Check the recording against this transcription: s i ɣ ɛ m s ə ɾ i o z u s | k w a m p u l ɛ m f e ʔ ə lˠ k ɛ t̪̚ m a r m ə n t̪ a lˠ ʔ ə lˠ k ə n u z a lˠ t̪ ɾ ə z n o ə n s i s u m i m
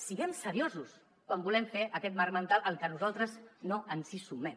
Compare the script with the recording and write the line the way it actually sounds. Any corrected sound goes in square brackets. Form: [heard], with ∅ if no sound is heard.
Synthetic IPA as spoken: s i ɣ ɛ m s ə ɾ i o z u s | k w a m [b] u l ɛ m f e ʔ ə [∅] k ɛ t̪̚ m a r m ə n t̪ a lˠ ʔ ə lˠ k ə n u z a lˠ t̪ ɾ ə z n o ə n s i s u m [ɛ] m

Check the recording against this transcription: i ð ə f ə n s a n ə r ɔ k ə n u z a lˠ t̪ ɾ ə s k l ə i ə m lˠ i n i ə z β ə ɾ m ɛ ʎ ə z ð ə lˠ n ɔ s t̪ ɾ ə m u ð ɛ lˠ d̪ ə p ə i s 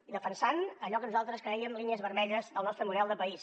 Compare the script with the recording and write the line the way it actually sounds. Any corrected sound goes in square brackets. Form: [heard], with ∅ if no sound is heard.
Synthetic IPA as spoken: i ð ə f ə n s a n ə [ʎ] ɔ k ə n u z a lˠ t̪ ɾ ə s k [ɾ] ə i ə m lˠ i n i ə z β ə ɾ m ɛ ʎ ə z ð ə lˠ n ɔ s t̪ ɾ ə m u ð ɛ lˠ d̪ ə p ə i s

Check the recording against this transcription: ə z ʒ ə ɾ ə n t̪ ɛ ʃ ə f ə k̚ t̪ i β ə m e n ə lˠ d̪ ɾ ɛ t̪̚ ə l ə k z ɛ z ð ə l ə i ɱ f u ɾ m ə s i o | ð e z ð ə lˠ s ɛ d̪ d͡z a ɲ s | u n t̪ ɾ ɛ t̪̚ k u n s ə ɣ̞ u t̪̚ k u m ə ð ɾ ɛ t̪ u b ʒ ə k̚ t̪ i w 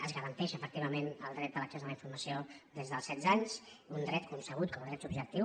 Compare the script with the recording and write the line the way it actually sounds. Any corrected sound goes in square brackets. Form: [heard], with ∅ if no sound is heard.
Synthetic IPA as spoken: ə z [ɣ] ə ɾ ə n t̪ ɛ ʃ ə f ə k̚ t̪ i β ə m e n ə lˠ d̪ ɾ ɛ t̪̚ ə l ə k [s] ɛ z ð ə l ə i ɱ f u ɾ m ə s i o | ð e z ð ə lˠ s ɛ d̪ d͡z a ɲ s | u n [d̪] ɾ ɛ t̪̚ k u n s ə ɣ̞ u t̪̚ k [ɔ] m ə ð ɾ ɛ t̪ u b ʒ ə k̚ t̪ i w

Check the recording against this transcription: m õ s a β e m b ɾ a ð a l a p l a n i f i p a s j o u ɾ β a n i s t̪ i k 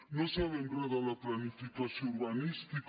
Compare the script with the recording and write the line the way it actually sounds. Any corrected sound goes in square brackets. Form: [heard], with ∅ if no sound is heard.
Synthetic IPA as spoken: [n] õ s a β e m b ɾ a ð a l a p l a n i f i [k] a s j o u ɾ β a n i s t̪ i k

